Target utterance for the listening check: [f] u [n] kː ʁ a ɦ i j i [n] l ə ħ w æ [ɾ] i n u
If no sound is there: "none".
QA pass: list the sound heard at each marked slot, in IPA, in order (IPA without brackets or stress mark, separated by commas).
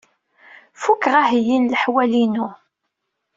f, none, n, l